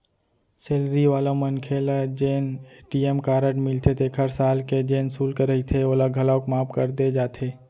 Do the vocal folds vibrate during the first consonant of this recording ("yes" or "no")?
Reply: no